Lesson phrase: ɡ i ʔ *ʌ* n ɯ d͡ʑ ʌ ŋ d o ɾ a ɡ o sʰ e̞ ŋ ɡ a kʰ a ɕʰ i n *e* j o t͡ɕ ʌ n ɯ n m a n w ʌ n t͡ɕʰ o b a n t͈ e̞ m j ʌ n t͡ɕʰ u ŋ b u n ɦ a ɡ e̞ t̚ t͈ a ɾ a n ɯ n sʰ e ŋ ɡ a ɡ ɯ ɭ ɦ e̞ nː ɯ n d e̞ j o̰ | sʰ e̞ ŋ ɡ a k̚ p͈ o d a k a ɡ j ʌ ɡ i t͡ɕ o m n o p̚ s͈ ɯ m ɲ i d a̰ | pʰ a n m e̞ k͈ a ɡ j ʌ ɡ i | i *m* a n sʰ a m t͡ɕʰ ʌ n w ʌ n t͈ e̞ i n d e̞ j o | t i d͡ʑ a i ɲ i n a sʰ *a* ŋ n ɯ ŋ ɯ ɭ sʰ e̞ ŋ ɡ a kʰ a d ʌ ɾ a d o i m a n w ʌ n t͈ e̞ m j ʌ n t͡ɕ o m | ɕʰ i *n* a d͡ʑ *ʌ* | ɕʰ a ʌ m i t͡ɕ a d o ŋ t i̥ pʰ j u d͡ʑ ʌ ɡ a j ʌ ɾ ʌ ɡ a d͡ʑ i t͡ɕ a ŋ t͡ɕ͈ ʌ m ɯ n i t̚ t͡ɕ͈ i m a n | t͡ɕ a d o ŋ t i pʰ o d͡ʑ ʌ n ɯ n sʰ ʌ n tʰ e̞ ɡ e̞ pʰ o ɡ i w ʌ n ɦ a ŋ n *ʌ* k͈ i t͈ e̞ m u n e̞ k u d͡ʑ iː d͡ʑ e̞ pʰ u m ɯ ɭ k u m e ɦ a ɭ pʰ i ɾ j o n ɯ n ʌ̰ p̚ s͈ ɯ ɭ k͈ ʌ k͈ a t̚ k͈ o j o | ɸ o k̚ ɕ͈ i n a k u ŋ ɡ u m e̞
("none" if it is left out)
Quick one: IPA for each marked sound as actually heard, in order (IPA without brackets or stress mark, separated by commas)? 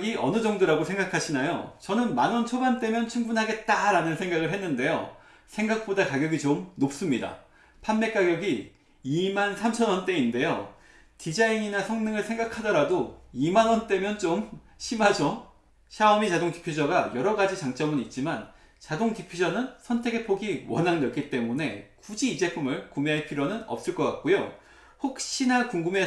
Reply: ʌ, a, m, ʌ, m, ʌ, ʌ